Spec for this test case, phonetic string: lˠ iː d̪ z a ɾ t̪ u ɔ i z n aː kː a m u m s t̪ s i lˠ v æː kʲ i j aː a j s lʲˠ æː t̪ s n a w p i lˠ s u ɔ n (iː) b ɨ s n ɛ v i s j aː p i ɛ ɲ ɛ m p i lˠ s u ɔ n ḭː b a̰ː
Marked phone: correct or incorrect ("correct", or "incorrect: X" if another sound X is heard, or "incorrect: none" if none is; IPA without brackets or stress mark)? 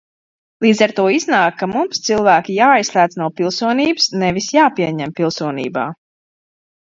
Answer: correct